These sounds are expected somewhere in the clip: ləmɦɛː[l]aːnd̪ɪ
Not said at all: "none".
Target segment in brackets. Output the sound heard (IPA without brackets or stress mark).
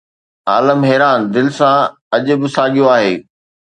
ɾ